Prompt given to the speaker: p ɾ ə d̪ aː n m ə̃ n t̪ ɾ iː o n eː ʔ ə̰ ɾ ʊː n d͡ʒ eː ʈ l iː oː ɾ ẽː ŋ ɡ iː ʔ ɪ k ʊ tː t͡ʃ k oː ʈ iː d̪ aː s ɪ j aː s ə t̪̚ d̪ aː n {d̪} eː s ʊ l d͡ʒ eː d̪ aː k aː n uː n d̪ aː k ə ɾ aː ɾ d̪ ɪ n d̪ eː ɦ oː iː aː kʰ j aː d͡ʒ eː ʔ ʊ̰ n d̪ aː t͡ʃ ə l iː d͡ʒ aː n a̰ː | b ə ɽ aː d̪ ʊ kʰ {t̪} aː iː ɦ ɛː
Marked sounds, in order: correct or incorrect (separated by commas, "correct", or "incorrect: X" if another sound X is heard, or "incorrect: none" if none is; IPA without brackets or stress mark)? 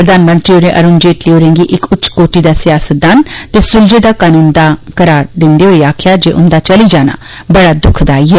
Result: incorrect: t̪, incorrect: d̪